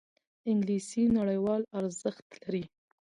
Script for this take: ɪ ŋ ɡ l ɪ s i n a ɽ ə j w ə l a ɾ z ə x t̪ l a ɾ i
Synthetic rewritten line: ɪ ŋ ɡ l i s i n a ɽ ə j w ɑ l a ɾ z ə x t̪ l a ɾ i